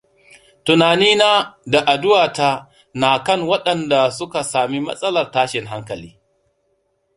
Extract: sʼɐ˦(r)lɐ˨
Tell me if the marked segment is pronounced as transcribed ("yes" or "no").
no